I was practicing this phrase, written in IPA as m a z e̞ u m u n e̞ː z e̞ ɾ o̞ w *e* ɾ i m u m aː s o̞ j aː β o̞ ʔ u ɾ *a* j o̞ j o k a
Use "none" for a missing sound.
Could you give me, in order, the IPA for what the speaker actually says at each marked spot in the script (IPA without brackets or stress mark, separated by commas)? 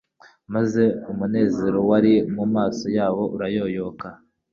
a, a